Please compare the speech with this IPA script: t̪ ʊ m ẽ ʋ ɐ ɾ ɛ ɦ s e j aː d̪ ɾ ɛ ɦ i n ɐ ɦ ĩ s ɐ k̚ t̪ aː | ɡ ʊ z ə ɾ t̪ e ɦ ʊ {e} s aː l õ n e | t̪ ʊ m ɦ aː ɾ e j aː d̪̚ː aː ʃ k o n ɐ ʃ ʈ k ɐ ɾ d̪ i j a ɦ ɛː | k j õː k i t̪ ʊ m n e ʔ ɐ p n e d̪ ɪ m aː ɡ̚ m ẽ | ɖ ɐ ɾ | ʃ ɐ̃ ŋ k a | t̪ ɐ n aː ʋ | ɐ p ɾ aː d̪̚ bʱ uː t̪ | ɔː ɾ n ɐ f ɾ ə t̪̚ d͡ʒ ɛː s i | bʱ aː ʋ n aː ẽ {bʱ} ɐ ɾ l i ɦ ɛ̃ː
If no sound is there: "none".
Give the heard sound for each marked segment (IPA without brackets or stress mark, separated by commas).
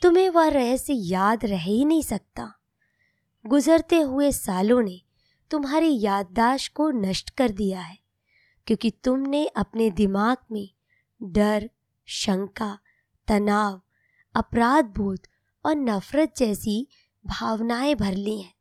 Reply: e, bʱ